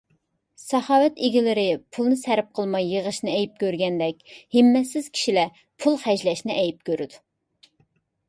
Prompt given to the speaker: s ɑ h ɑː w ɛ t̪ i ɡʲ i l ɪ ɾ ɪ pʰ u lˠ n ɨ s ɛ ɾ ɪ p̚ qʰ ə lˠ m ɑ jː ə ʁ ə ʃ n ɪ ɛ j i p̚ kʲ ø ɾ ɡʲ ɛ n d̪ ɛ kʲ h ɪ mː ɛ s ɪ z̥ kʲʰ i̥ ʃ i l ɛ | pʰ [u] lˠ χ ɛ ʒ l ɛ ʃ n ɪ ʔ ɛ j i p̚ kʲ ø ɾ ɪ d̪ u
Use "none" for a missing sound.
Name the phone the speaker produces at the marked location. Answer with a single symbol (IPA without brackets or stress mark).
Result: u